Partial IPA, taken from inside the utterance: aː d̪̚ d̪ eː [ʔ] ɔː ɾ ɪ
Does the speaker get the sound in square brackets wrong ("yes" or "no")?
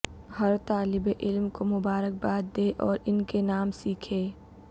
no